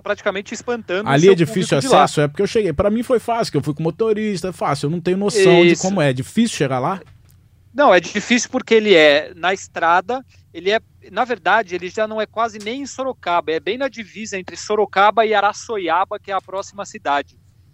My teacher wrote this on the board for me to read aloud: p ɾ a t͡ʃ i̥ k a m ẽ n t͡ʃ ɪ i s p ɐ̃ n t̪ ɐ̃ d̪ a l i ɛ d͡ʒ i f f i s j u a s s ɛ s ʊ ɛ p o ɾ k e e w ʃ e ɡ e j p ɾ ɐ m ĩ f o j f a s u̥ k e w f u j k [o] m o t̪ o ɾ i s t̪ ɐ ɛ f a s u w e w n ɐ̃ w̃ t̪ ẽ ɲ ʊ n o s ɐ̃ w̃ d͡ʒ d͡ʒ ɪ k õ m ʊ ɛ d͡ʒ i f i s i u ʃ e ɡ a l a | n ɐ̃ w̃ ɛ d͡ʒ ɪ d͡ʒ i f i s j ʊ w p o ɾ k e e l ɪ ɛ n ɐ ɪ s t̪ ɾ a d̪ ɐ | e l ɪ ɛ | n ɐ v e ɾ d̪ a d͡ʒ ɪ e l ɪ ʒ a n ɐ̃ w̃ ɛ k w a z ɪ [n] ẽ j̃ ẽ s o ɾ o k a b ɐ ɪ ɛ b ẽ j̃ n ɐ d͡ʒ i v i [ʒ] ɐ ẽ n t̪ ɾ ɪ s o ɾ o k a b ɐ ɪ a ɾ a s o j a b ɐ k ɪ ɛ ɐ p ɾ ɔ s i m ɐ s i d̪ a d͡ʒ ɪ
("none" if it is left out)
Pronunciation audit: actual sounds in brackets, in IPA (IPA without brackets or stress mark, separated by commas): õ, n, z